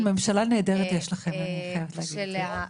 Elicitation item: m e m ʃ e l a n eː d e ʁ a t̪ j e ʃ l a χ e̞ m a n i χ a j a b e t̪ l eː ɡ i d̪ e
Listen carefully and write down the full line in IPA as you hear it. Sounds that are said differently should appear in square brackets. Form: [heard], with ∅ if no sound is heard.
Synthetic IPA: m e m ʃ [a] l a n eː d e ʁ [e] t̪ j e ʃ l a χ e̞ m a n i χ a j a [v] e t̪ l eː ɡ i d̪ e